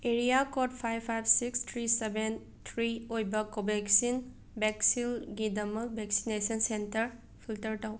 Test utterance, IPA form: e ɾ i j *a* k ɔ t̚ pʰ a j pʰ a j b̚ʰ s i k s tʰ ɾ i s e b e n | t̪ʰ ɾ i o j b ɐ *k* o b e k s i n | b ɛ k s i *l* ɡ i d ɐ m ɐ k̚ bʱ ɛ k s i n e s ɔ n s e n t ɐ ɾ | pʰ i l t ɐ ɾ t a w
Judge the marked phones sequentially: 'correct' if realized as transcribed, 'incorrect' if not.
correct, correct, correct

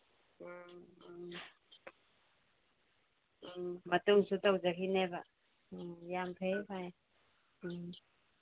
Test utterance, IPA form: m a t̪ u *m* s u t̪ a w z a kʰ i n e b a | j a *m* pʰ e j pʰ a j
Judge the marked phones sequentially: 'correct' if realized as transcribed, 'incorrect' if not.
incorrect: ŋ, correct

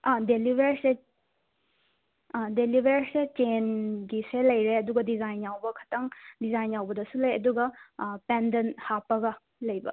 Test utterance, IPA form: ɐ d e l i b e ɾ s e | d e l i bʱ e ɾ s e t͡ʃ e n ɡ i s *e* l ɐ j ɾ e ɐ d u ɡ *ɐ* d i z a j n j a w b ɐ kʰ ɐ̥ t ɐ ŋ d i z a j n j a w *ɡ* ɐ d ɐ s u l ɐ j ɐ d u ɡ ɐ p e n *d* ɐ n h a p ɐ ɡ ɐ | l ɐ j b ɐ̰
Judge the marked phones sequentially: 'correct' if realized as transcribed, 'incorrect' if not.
correct, correct, incorrect: b, correct

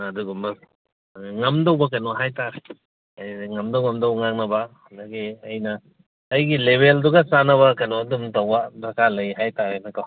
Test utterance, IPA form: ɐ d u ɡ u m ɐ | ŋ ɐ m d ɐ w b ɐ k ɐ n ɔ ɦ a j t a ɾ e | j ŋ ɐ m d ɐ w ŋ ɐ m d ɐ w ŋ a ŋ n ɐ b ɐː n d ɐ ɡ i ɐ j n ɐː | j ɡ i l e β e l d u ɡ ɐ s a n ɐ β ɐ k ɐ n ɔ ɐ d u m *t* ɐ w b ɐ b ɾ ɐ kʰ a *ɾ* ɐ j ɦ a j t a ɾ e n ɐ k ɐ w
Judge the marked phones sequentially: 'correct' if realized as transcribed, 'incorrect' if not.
correct, incorrect: l

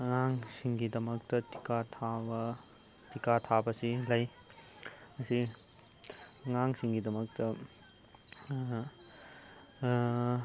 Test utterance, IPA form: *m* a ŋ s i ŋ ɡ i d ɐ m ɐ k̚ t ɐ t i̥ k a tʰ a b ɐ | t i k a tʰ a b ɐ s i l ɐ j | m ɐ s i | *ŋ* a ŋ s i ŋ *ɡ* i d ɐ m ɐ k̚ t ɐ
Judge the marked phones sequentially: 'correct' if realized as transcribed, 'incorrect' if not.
incorrect: ŋ, correct, correct

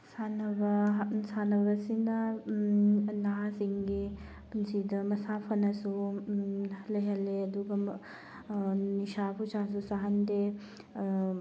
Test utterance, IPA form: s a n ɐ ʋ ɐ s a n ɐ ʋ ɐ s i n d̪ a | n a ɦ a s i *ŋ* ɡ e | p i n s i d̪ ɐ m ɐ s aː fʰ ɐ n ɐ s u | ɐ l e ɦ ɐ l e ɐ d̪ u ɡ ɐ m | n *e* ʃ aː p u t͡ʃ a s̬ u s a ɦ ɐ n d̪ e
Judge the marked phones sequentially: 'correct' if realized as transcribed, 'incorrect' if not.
correct, incorrect: i

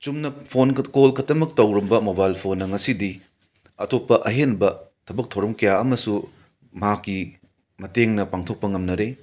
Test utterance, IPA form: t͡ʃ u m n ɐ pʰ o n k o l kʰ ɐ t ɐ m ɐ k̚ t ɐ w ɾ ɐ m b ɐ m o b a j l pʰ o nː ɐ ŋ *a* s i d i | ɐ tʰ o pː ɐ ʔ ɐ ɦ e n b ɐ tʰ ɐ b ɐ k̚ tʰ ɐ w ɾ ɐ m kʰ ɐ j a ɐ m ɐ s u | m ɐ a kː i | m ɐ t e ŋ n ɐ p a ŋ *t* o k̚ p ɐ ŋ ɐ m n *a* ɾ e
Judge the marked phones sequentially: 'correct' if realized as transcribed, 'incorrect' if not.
incorrect: ɐ, incorrect: tʰ, incorrect: ɐ

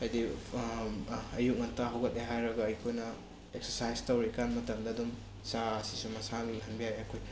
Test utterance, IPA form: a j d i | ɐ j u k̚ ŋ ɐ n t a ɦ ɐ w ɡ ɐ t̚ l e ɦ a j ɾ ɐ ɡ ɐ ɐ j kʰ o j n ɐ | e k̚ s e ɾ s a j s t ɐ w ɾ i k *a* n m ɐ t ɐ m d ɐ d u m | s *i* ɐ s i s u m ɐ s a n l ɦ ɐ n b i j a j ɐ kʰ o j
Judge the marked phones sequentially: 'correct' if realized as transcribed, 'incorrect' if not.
correct, incorrect: a

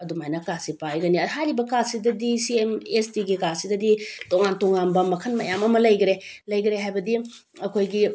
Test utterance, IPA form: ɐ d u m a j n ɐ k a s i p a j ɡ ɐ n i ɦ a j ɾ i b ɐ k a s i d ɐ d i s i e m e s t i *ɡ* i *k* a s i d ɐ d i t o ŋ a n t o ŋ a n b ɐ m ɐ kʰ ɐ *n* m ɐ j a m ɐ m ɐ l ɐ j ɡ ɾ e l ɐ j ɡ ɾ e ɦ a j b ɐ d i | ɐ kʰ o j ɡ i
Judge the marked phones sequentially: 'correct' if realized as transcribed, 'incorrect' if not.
correct, correct, correct

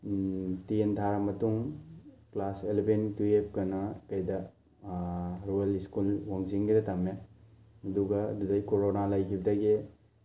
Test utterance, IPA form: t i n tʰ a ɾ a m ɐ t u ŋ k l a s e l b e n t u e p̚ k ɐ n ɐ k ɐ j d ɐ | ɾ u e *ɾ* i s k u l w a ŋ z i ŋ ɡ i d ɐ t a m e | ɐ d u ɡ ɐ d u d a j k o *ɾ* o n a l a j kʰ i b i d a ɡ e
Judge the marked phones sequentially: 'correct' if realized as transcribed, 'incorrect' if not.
incorrect: l, correct

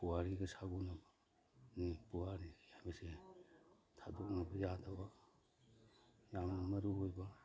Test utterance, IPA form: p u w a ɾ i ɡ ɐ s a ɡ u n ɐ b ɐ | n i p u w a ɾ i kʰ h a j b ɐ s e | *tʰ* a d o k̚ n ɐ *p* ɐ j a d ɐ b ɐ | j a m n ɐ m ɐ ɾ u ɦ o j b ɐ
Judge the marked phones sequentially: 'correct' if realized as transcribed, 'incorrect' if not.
correct, incorrect: b

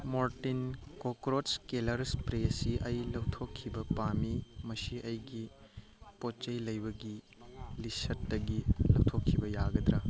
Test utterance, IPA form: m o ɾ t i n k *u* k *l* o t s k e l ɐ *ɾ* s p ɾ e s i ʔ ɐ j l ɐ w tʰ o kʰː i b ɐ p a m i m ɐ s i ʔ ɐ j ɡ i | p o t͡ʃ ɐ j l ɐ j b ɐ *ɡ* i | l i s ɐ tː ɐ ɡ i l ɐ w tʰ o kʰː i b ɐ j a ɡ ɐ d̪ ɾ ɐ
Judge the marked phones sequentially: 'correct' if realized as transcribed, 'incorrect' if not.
incorrect: o, incorrect: ɾ, correct, correct

